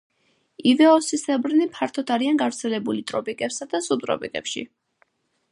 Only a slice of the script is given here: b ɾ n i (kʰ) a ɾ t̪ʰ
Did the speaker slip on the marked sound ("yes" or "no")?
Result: yes